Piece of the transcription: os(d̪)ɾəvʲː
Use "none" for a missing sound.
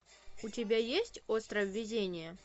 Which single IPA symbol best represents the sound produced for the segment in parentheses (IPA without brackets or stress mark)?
t̪